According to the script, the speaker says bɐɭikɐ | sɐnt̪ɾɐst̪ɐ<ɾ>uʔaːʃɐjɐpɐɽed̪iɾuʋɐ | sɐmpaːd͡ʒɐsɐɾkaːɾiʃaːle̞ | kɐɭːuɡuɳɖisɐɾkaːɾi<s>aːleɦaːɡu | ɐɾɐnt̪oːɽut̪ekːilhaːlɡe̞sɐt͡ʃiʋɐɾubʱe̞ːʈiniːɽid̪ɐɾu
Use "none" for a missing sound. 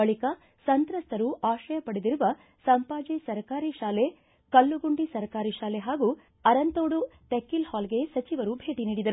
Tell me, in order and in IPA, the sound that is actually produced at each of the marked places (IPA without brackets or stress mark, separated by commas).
ɾ, ʃ